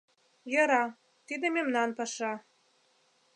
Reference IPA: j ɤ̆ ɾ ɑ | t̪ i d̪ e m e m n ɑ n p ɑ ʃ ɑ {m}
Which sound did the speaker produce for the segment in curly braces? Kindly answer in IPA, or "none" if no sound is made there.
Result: none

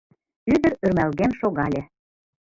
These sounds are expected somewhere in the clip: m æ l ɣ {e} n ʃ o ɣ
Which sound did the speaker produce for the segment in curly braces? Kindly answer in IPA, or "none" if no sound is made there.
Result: e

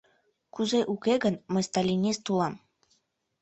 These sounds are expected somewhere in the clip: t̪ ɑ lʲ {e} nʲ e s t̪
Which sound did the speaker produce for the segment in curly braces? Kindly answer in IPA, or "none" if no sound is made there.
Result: i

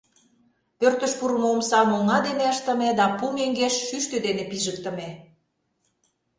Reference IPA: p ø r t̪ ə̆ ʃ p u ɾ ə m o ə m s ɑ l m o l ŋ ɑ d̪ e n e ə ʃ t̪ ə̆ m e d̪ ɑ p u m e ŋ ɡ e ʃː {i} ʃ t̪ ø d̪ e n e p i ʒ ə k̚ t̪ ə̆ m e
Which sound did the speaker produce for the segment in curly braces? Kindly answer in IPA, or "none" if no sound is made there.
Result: y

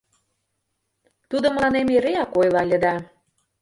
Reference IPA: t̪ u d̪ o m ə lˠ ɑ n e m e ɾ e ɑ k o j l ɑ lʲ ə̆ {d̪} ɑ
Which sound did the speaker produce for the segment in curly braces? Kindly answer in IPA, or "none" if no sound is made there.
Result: d̪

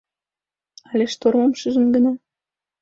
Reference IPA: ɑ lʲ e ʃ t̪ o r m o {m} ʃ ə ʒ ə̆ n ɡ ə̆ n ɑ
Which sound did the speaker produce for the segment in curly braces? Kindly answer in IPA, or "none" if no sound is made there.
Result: m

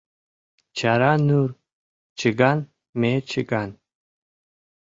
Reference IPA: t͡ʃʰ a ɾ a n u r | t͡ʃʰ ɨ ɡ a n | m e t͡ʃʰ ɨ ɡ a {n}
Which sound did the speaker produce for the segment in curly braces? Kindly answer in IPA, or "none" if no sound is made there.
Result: n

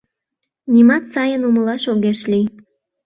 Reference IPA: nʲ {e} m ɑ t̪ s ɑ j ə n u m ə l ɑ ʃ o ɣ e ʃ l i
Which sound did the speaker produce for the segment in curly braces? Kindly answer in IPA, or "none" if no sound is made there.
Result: i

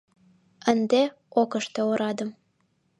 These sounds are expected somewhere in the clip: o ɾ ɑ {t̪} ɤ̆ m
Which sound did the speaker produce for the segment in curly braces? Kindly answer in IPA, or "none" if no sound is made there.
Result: d̪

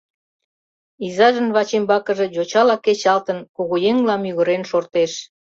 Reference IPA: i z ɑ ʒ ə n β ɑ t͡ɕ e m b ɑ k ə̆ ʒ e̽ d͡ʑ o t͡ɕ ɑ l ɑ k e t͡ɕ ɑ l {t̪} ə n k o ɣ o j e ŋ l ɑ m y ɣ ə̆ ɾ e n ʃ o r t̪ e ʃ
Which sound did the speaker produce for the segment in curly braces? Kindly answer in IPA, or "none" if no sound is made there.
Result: t̪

